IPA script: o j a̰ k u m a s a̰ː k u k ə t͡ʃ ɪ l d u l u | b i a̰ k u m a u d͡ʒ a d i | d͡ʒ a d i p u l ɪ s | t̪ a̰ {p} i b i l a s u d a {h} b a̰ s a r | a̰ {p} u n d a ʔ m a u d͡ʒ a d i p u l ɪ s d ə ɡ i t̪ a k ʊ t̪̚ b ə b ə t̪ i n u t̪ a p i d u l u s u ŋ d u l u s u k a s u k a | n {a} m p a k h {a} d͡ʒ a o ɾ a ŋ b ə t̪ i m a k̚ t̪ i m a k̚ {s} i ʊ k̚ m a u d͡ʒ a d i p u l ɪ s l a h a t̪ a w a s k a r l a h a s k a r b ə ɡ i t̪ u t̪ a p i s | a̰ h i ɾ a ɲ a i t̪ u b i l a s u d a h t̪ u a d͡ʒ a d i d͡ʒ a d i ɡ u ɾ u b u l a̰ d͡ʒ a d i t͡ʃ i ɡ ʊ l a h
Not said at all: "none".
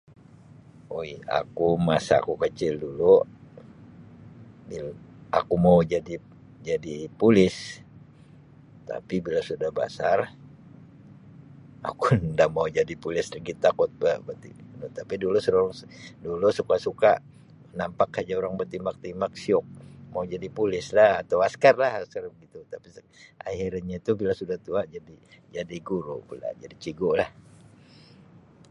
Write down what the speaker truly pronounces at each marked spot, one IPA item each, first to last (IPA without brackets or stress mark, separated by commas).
p, h, k, a, a, s